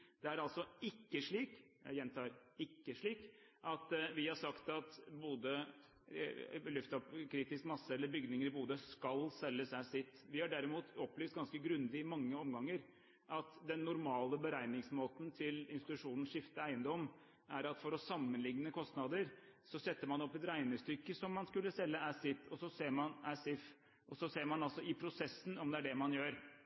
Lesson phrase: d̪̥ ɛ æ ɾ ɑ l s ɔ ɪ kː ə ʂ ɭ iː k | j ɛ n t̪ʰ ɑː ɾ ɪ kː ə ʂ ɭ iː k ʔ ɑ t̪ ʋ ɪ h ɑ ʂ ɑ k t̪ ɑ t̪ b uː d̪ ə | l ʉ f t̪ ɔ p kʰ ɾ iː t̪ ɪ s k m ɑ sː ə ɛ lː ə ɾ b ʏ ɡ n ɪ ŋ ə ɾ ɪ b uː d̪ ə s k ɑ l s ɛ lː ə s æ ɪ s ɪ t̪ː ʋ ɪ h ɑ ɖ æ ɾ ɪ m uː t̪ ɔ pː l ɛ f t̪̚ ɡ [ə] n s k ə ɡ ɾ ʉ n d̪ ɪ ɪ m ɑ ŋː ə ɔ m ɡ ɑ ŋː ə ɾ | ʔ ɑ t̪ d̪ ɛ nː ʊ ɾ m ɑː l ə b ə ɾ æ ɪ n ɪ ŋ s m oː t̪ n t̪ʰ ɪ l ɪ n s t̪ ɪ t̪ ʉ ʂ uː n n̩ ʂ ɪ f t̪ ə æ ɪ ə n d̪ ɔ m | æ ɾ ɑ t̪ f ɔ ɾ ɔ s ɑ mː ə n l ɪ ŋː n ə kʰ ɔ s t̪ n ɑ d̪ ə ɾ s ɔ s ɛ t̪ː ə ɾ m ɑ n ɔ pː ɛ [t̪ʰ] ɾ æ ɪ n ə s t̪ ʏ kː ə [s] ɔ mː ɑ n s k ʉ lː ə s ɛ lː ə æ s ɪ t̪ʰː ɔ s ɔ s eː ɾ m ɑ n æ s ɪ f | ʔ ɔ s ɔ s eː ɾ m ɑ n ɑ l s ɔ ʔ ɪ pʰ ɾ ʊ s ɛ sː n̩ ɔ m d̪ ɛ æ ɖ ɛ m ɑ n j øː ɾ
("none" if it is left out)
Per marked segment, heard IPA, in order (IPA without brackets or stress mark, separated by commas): ɑ, t̪, s